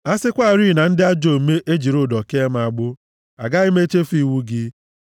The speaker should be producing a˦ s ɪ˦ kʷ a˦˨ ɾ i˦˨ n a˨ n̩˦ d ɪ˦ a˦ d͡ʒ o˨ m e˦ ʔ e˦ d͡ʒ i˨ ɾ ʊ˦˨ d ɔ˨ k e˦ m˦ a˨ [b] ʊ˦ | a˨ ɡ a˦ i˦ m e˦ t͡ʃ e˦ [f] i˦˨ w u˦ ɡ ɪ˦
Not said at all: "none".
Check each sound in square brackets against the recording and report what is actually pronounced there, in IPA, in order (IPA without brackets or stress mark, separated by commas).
ɡ͡b, f